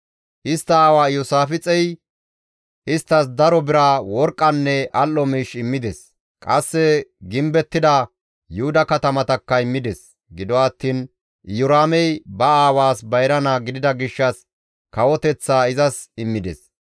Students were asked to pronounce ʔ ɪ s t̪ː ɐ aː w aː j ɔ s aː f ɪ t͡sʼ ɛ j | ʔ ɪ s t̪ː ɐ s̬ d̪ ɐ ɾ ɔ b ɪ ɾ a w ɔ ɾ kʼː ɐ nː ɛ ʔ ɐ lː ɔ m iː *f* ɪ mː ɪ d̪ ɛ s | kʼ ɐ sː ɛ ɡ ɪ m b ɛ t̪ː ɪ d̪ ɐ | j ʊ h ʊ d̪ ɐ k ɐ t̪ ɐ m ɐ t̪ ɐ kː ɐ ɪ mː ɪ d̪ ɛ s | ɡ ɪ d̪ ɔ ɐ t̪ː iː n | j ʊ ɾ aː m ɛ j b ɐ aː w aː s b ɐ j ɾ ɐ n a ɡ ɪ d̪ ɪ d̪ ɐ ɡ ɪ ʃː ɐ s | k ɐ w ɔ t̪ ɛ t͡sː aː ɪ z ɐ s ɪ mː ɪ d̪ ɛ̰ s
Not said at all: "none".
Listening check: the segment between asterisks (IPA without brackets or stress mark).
ʃ